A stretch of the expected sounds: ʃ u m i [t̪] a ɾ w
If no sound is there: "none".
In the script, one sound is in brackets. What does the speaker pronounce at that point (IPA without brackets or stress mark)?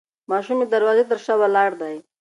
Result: d̪